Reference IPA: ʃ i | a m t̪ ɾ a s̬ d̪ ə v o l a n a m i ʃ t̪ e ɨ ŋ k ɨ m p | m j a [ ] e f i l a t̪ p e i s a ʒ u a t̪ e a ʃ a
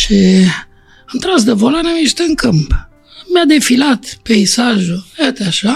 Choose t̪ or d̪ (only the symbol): d̪